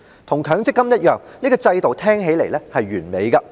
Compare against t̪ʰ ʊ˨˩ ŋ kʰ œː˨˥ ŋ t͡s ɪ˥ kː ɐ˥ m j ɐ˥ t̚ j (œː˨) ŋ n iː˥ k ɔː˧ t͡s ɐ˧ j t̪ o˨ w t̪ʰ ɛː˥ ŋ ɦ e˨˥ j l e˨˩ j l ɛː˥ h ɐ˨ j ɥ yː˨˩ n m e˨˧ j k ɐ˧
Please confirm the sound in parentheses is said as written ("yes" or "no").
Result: yes